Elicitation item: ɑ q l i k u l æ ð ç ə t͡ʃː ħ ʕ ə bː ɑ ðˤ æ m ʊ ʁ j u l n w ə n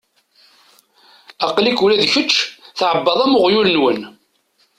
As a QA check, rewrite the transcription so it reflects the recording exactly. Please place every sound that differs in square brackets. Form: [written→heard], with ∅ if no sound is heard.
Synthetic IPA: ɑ q l i k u l æ ð ç ə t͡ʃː [ħ→θ] ʕ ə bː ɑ ðˤ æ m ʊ ʁ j u l n w ə n